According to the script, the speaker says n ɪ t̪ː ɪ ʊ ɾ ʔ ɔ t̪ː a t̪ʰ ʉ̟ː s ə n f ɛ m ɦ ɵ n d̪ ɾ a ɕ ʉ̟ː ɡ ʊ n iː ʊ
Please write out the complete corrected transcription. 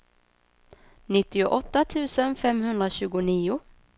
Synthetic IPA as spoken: n ɪ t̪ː ɪ ʊ ʔ ɔ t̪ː a t̪ʰ ʉ̟ː s ə n f ɛ m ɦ ɵ n d̪ ɾ a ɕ ʉ̟ː ɡ ʊ n iː ʊ